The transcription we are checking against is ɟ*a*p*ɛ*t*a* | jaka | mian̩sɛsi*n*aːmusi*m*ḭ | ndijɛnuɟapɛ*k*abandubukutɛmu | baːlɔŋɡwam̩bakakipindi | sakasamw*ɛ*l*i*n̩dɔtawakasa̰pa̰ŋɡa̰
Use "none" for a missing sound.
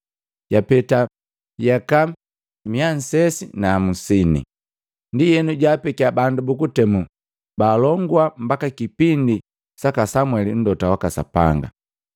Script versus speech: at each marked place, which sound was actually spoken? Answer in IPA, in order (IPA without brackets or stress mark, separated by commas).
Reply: a, ɛ, a, n, n, k, ɛ, i